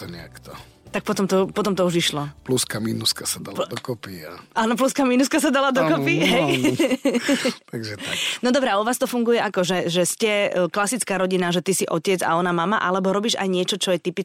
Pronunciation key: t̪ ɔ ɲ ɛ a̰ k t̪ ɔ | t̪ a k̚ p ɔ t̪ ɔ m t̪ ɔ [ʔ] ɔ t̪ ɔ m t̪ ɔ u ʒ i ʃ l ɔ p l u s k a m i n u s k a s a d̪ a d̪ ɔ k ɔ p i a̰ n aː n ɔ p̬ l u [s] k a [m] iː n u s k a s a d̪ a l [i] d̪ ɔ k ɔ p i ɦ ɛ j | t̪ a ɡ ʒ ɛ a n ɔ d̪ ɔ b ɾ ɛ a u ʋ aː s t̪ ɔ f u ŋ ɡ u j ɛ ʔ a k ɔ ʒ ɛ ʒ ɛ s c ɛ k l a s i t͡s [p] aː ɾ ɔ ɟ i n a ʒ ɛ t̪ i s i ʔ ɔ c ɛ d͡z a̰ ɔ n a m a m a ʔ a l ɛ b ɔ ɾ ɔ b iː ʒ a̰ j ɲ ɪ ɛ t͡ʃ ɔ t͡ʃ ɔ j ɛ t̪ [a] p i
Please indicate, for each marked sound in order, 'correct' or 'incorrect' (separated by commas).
incorrect, correct, correct, incorrect, incorrect, incorrect